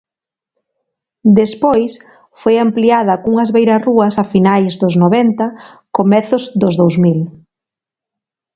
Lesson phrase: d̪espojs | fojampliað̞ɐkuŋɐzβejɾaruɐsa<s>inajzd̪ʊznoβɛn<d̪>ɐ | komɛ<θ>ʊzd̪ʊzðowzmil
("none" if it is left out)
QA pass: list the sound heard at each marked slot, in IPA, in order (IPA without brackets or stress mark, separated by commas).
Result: f, t̪, θ